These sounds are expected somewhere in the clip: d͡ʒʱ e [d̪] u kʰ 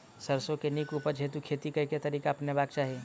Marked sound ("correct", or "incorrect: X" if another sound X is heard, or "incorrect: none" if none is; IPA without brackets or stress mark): incorrect: t̪